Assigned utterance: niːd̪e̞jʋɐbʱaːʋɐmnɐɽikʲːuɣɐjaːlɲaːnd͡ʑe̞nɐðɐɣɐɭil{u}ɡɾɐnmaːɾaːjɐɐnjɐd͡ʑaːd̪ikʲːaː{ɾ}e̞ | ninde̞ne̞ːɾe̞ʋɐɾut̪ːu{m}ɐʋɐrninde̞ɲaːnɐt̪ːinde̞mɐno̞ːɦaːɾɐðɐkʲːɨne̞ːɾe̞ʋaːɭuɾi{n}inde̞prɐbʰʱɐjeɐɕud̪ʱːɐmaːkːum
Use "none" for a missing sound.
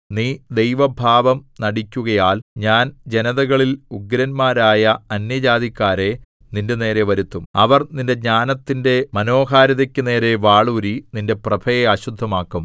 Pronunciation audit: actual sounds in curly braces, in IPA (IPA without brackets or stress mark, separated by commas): u, ɾ, m, n